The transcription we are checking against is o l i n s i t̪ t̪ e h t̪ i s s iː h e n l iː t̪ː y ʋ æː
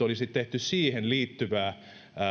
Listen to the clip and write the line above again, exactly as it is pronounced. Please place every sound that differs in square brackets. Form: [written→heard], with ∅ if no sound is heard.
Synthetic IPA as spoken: o l i [n→∅] s i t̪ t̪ e h t̪ [i→y] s s iː h e n l iː t̪ː y ʋ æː

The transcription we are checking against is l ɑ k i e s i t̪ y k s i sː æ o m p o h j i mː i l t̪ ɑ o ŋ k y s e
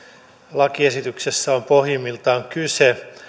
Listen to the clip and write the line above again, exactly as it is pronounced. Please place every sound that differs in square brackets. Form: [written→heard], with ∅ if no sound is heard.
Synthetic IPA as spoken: l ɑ k i e s i t̪ y k s [i→e] sː æ o m p o h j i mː i l t̪ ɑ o ŋ k y s e

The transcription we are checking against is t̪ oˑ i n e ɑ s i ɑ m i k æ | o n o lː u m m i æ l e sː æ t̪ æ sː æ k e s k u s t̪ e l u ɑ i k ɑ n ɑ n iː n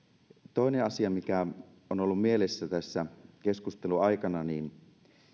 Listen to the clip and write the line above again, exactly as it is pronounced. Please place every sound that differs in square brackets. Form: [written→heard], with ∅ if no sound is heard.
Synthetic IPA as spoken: t̪ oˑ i n e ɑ s i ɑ m i k æ | o n o lː u m m i [æ→e] l e sː æ t̪ æ sː æ k e s k u s t̪ e l u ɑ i k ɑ n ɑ n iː n

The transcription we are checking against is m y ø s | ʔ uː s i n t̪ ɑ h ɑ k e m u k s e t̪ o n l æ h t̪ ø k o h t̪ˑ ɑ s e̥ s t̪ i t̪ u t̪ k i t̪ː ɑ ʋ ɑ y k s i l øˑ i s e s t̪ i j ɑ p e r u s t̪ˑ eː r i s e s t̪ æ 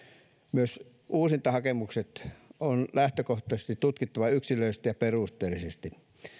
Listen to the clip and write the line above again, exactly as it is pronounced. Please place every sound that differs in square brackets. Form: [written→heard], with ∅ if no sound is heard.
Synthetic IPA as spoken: m y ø s | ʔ uː s i n t̪ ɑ h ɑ k e m u k s e t̪ o n l æ h t̪ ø k o h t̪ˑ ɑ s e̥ s t̪ i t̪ u t̪ k i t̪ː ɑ ʋ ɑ y k s i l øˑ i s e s t̪ i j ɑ p e r u s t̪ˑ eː [r→l] i s e s t̪ [æ→i]

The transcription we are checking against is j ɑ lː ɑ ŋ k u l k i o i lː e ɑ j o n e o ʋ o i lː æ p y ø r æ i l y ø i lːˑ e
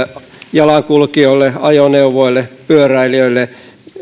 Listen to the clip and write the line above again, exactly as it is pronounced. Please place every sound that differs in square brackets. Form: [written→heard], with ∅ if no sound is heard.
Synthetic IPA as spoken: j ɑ [lː→l] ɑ ŋ k u l k i o i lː e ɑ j o n e [o→u] ʋ o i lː [æ→e] p y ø r æ i l [y→i] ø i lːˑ e

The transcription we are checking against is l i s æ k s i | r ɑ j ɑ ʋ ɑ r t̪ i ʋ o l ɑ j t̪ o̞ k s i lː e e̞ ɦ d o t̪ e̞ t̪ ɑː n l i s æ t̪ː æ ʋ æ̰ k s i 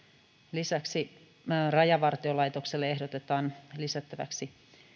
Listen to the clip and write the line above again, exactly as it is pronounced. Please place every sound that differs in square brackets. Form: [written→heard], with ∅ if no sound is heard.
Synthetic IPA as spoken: l i s æ k s i | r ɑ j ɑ ʋ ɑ r t̪ i [ʋ→∅] o l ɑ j t̪ o̞ k s [i→e] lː e e̞ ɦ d o t̪ e̞ t̪ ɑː n l i s æ t̪ː æ ʋ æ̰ k s i

